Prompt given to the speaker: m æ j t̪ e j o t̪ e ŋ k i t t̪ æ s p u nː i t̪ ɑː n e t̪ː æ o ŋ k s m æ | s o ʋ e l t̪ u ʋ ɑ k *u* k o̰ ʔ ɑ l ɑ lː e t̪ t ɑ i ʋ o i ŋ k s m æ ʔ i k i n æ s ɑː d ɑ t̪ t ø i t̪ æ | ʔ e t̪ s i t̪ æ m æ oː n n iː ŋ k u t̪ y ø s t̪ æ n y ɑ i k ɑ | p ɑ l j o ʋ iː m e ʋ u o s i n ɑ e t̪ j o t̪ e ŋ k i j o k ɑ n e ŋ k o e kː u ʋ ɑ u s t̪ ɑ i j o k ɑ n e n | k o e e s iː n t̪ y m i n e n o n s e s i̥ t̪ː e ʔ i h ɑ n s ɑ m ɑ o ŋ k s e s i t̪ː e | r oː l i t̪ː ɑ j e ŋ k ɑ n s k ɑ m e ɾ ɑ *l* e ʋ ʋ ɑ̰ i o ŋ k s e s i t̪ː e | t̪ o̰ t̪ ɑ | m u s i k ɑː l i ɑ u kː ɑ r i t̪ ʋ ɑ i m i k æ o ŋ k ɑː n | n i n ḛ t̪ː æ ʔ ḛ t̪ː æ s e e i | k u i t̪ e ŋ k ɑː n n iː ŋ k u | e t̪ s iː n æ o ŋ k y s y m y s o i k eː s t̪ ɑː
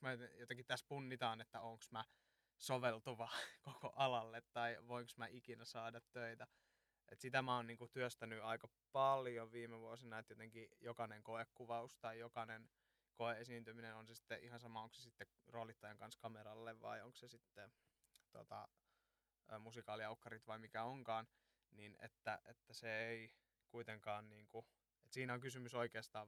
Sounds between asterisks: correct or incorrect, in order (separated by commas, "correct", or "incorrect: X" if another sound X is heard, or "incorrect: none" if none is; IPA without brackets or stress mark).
incorrect: o, incorrect: lː